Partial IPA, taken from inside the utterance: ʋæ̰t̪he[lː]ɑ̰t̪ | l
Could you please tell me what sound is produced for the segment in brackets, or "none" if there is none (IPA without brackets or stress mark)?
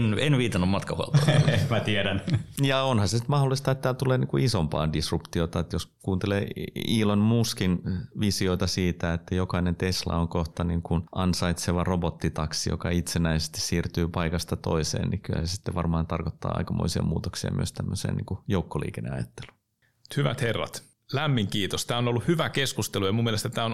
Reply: rː